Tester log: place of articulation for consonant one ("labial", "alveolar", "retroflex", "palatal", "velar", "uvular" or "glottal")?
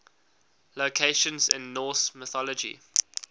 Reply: alveolar